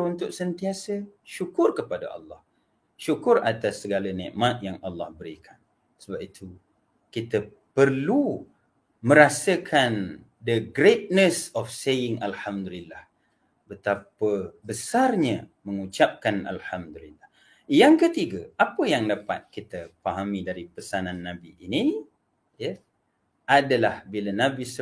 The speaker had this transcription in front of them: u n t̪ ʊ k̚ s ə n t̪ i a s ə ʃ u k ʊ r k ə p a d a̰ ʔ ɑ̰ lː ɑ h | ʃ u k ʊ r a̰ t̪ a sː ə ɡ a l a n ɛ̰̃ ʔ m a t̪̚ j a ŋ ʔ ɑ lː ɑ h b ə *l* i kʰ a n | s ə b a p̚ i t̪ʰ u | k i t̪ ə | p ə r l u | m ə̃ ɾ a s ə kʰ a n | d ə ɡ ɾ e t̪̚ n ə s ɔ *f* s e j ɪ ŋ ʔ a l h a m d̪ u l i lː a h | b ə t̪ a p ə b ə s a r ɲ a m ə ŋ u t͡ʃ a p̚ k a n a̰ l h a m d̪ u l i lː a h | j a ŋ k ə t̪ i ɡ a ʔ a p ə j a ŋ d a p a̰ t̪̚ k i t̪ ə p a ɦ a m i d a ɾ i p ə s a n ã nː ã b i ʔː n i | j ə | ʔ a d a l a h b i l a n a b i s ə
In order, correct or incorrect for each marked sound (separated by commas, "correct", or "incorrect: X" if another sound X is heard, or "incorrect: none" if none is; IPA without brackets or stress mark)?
incorrect: ɾ, correct